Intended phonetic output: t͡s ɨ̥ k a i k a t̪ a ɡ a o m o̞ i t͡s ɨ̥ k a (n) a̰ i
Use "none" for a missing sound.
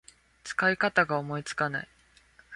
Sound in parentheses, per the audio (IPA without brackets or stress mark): n